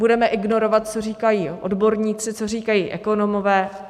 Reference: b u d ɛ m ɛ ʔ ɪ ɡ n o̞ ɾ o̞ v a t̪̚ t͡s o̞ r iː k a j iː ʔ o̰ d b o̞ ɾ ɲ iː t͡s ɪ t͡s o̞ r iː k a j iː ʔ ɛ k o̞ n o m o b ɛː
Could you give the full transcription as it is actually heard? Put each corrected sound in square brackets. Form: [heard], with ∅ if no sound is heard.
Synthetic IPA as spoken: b u d ɛ m ɛ ʔ ɪ ɡ n o̞ ɾ o̞ v a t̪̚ t͡s o̞ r iː k a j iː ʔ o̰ d b o̞ ɾ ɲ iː t͡s ɪ t͡s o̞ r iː k a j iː ʔ ɛ k o̞ n o m o [v] ɛː